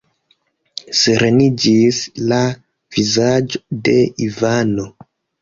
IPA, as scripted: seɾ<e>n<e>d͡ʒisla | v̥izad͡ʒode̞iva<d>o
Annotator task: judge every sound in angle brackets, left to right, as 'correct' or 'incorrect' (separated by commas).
correct, incorrect, incorrect